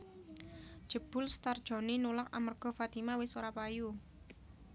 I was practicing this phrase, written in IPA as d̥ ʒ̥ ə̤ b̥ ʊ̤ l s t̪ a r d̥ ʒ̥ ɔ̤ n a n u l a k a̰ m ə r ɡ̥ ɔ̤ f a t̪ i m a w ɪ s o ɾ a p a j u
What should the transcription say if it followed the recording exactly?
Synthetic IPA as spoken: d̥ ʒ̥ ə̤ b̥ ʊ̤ l s t̪ a r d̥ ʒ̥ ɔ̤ n i n u l a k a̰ m ə r ɡ̥ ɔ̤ f a t̪ i m a w ɪ s o ɾ a p a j u